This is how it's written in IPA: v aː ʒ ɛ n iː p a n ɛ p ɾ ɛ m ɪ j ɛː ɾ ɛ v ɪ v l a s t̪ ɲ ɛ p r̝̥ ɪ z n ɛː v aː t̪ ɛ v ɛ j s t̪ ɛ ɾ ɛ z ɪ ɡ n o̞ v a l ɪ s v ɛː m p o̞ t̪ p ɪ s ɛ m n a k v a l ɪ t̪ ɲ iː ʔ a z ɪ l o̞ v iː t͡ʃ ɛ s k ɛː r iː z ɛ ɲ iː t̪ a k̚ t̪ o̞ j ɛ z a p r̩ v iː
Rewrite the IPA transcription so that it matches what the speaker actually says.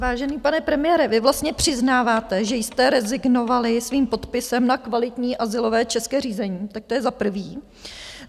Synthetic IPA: v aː ʒ ɛ n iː p a n ɛ p ɾ ɛ m ɪ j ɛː ɾ ɛ v ɪ v l a s t̪ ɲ ɛ p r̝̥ ɪ z n aː v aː t̪ ɛ ʒ ɛ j s t̪ ɛ ɾ ɛ z ɪ ɡ n o̞ v a l ɪ s v iː m p o̞ t̪ p ɪ s ɛ m n a k v a l ɪ t̪ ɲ iː ʔ a z ɪ l o̞ v ɛː t͡ʃ ɛ s k ɛː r iː z ɛ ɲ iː t̪ a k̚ t̪ o̞ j ɛ z a p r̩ v iː